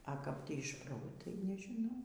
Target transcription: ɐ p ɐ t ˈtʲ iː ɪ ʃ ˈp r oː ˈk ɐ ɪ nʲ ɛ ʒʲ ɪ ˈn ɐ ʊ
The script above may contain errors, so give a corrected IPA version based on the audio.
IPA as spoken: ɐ k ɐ p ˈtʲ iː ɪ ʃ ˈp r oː ˈt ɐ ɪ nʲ ɛ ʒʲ ɪ ˈn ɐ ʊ

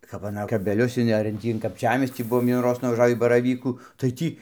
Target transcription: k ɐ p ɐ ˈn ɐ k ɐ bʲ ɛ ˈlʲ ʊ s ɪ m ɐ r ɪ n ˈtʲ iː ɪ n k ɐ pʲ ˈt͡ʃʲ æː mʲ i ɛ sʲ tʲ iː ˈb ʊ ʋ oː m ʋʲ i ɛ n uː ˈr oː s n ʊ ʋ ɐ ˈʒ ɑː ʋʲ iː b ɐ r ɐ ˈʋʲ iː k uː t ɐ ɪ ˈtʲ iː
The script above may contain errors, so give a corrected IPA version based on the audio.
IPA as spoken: k ɐ p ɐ ˈn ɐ k ɐ bʲ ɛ ˈlʲ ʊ s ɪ n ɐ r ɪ n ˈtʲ iː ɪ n k ɐ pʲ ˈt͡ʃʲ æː mʲ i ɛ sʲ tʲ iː ˈb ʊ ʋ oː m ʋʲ i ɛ n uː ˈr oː s n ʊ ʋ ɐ ˈʒ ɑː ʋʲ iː b ɐ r ɐ ˈʋʲ iː k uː t ɐ ɪ ˈtʲ iː

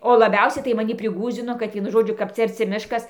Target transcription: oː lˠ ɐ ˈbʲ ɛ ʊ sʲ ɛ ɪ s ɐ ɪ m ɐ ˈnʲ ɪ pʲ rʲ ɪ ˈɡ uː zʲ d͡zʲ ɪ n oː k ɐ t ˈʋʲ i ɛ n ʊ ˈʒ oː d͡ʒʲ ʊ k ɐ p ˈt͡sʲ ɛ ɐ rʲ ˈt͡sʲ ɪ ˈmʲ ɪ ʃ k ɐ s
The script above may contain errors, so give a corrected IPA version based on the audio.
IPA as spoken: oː lˠ ɐ ˈbʲ ɛ ʊ sʲ ɛ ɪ t ɐ ɪ m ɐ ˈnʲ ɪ pʲ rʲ ɪ ˈɡ uː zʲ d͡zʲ ɪ n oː k ɐ t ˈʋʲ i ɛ n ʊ ˈʒ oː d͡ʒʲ ʊ k ɐ p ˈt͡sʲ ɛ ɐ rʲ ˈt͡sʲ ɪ ˈmʲ ɪ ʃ k ɐ s

